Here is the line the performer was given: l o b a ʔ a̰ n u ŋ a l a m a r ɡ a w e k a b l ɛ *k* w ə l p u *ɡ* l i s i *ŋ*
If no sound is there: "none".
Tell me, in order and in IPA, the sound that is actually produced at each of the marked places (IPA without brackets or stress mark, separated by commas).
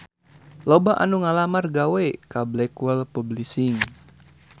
k, b, ŋ